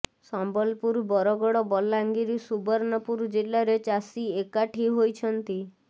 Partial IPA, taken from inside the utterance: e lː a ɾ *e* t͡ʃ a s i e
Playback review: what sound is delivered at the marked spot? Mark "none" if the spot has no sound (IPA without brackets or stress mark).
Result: e